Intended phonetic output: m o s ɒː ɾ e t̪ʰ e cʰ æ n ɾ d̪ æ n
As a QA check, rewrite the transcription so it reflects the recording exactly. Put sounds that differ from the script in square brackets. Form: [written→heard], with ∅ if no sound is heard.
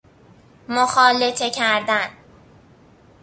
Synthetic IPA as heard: m o [s→x] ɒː [ɾ→l] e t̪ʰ e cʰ æ [n→∅] ɾ d̪ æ n